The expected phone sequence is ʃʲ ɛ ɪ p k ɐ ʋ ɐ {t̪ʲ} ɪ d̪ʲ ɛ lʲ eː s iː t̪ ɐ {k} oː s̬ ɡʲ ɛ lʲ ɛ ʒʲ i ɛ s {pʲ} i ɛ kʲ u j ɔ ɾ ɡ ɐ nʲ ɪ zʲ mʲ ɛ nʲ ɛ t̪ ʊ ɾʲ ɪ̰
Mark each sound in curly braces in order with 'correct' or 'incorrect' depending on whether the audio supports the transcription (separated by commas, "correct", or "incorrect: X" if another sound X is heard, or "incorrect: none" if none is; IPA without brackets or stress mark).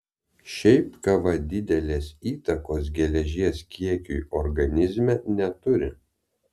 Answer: incorrect: d̪ʲ, correct, incorrect: kʲ